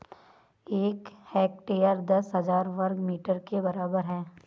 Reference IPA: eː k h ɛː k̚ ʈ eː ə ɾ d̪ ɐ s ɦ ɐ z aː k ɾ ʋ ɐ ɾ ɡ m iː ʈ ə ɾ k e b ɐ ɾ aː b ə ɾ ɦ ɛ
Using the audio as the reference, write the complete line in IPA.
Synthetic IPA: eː k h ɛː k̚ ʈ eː ə ɾ d̪ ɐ s ɦ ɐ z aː ɾ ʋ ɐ ɾ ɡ m iː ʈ ə ɾ k e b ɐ ɾ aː b ə ɾ ɦ ɛː